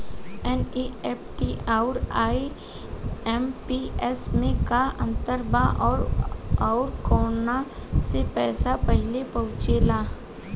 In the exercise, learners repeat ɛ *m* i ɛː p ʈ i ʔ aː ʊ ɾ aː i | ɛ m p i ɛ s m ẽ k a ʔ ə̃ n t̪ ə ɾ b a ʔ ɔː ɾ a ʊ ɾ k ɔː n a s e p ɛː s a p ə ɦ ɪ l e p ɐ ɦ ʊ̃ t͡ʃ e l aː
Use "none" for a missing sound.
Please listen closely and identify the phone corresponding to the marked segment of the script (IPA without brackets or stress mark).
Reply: n